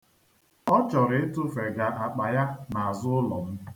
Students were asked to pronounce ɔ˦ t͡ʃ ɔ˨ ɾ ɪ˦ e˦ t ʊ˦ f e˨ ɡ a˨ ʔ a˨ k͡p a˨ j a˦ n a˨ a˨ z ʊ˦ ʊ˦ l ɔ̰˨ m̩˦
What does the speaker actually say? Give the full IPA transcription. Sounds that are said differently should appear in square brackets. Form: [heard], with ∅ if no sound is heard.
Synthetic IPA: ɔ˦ t͡ʃ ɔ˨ ɾ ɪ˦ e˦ t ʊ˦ f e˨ ɡ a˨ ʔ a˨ k͡p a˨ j a˦ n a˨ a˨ z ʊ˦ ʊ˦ l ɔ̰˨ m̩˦